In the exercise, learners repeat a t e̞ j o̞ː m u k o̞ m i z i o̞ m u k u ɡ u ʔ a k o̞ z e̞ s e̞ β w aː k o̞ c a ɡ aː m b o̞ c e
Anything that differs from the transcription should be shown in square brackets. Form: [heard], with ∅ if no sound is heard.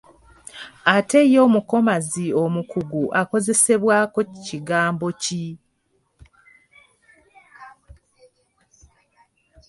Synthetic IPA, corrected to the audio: a t e̞ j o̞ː m u k o̞ m [a] z i o̞ m u k u ɡ u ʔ a k o̞ z e̞ s e̞ β w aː k o̞ c [i] ɡ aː m b o̞ c [i]